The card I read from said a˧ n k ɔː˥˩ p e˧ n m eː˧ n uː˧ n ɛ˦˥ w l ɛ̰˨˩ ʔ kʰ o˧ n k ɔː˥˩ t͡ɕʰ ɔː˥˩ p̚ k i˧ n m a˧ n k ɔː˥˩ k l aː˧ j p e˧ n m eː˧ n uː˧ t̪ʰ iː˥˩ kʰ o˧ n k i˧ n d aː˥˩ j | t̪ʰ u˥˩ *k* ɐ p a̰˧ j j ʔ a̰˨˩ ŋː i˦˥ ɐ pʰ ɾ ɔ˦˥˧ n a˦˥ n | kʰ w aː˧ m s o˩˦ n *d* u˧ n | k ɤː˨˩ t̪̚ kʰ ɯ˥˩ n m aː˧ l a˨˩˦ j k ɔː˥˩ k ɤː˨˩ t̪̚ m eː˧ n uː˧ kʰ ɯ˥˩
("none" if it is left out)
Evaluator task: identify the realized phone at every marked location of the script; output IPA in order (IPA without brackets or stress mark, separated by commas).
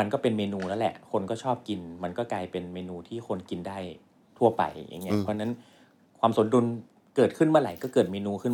none, d